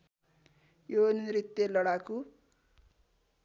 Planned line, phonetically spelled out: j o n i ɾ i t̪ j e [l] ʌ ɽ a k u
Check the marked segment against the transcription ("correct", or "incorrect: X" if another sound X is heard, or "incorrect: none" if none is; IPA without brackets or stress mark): correct